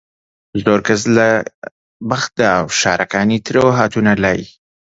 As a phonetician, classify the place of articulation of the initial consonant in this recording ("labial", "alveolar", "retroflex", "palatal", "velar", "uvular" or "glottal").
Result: alveolar